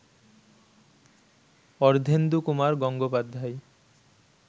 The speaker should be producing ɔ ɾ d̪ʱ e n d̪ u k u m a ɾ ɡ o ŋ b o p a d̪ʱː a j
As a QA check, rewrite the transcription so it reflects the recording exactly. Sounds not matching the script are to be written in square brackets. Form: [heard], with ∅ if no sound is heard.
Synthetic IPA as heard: ɔ ɾ d̪ʱ e n d̪ u k u m a ɾ ɡ [ɔ] ŋ [ɡ] o p a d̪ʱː a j